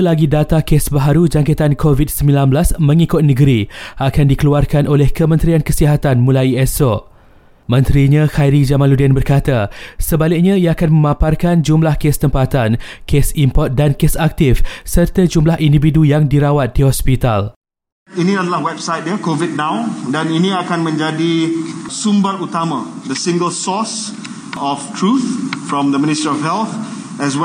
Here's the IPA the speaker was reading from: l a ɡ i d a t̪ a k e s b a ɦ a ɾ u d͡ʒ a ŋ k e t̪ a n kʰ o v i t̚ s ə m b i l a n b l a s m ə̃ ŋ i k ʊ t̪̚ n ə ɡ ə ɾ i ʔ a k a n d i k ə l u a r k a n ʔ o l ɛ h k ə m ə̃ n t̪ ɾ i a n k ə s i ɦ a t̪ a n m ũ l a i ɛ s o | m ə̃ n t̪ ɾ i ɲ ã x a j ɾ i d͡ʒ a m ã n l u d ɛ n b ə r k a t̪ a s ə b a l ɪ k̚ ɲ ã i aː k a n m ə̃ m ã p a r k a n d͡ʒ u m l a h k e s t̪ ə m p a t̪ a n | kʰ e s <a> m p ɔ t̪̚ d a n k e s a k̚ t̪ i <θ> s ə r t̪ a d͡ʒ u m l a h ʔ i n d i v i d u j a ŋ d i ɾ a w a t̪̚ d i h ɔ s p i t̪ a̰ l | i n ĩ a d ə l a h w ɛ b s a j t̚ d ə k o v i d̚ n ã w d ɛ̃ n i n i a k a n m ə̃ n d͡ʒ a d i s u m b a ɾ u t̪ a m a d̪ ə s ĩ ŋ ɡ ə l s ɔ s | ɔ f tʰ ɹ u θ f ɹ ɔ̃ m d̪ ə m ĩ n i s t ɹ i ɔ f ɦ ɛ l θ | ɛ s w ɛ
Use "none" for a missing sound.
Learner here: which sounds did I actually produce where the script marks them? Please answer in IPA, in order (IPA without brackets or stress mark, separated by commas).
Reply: i, f